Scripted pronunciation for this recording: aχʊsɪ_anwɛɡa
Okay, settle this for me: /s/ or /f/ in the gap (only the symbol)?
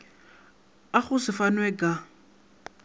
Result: f